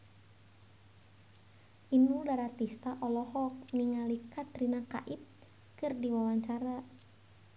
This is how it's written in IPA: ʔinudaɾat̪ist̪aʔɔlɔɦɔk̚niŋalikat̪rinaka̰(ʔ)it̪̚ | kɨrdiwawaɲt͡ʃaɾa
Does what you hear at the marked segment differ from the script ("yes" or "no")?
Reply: no